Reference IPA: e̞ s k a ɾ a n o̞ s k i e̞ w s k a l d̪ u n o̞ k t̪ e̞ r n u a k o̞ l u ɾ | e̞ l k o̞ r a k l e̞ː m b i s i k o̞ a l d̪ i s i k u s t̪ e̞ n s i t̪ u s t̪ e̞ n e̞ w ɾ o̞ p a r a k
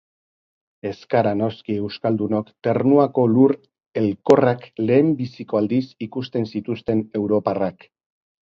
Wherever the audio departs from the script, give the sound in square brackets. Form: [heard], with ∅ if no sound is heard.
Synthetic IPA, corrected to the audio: e̞ s k a ɾ a n o̞ s k i e̞ w s k a l d̪ u n o̞ k t̪ e̞ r n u a k o̞ l u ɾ | e̞ l k o̞ r a k l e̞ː m b i s i k o̞ a l d̪ i s i k u s t̪ e̞ n s i t̪ u s t̪ e̞ n e̞ w ɾ o̞ p a r a k